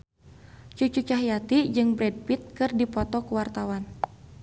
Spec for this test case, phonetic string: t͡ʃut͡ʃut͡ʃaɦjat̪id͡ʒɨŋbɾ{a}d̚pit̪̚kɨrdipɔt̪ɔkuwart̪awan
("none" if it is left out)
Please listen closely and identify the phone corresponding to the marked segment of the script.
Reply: ɛ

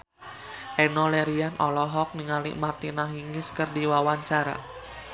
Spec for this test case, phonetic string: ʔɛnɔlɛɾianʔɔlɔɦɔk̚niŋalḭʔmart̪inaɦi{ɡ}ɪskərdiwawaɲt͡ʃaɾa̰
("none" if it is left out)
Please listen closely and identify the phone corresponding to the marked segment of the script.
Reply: ŋ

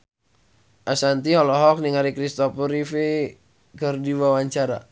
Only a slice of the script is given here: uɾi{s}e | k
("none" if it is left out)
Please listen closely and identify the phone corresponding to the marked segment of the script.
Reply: f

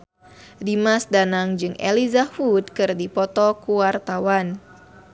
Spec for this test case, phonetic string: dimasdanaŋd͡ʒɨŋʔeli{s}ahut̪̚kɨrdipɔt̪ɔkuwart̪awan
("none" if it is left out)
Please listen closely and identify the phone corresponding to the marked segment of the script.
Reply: z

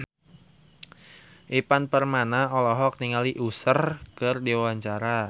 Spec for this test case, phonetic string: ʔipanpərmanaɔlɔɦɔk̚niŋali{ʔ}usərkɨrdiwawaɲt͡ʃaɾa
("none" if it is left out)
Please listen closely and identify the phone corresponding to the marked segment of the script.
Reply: ʔ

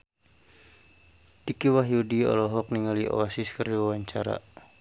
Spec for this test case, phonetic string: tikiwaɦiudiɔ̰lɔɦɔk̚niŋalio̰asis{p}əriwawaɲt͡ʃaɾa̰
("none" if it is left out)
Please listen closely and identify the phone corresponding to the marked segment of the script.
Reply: k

